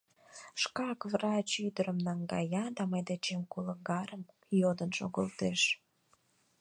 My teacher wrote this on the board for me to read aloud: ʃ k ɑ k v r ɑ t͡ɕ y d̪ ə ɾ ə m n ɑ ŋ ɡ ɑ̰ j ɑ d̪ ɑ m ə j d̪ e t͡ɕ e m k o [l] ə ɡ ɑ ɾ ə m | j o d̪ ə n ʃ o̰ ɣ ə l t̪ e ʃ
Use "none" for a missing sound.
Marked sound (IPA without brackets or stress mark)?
l